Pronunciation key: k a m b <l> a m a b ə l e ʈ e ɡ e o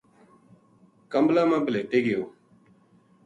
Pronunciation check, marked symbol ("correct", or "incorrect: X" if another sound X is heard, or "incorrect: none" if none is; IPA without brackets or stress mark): correct